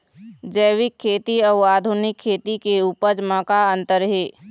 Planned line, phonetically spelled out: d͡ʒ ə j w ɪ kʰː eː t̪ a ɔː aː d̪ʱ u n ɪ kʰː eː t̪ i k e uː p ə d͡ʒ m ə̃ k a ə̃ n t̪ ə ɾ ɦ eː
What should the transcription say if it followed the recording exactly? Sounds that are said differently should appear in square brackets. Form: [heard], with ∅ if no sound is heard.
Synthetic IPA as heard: d͡ʒ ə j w ɪ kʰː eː t̪ [i] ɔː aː d̪ʱ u n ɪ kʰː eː t̪ i k e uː p ə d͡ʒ m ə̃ k a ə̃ n t̪ ə ɾ ɦ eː